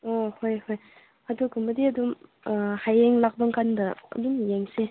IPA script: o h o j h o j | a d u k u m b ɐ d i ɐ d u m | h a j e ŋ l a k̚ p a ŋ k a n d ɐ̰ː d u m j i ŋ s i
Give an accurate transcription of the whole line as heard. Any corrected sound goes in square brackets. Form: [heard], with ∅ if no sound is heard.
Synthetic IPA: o h o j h o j | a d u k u m b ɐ d i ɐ d u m | h a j e ŋ l a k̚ [b] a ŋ k a n d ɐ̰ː d u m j [e] ŋ s [e]